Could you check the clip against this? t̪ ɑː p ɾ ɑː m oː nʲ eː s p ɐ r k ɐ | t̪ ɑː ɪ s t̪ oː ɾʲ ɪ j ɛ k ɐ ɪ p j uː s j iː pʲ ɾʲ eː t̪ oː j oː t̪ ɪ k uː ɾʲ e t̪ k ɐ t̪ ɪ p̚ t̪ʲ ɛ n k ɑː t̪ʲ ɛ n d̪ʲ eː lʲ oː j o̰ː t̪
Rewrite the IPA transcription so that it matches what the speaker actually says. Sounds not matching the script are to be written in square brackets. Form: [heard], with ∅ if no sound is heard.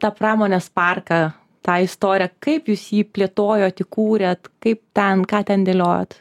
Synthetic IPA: t̪ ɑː p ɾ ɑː m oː nʲ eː s p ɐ r k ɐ | t̪ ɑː ɪ s t̪ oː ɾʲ ɪ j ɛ k ɐ ɪ p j uː s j iː pʲ [lʲ] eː t̪ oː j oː t̪ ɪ k uː ɾʲ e t̪ k ɐ [∅] ɪ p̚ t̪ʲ ɛ n k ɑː t̪ʲ ɛ n d̪ʲ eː lʲ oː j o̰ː t̪